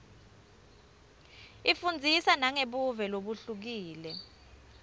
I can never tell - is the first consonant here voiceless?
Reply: yes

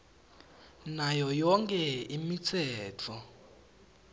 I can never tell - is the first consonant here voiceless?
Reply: no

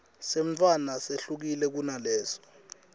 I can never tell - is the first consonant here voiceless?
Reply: yes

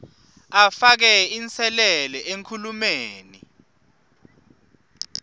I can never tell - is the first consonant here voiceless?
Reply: yes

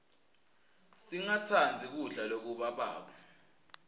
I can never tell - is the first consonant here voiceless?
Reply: yes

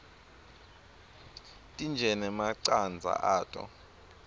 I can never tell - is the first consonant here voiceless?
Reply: yes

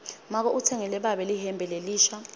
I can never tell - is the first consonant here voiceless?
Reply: no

